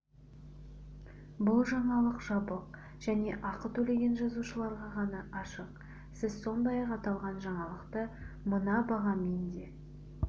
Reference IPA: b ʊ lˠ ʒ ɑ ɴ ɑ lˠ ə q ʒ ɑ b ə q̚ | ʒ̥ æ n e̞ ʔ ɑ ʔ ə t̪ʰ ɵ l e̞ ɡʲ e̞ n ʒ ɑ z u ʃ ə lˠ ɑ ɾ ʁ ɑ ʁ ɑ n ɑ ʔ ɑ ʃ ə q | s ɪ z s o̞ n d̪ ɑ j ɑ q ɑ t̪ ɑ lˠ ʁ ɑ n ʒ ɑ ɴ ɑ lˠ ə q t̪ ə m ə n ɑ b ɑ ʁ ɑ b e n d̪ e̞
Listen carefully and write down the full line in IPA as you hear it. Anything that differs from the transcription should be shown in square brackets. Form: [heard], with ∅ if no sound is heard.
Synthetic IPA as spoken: b ʊ lˠ ʒ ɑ ɴ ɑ lˠ ə q ʒ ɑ b ə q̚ | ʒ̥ æ n e̞ ʔ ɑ [q] ə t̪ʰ ɵ l e̞ ɡʲ e̞ n ʒ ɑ z u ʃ ə lˠ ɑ ɾ ʁ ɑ ʁ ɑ n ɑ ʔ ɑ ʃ ə q | s ɪ z s o̞ n d̪ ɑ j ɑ q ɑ t̪ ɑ lˠ ʁ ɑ n ʒ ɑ ɴ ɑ lˠ ə q t̪ ə m ə n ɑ b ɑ ʁ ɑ [m] e n d̪ e̞